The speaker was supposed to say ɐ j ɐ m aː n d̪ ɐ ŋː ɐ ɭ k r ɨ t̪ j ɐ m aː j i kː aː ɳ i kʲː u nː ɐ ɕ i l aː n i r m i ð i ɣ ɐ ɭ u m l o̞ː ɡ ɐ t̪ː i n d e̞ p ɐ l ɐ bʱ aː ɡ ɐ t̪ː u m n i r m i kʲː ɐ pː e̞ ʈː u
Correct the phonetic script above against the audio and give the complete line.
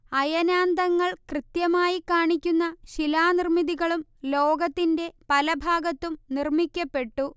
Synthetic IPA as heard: ɐ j ɐ n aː n d̪ ɐ ŋː ɐ ɭ k r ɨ t̪ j ɐ m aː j i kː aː ɳ i kʲː u nː ɐ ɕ i l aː n i r m i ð i ɣ ɐ ɭ u m l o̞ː ɡ ɐ t̪ː i n d e̞ p ɐ l ɐ bʱ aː ɡ ɐ t̪ː u m n i r m i kʲː ɐ pː e̞ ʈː u